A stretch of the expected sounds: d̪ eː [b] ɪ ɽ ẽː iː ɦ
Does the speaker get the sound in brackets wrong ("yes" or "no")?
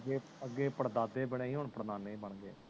no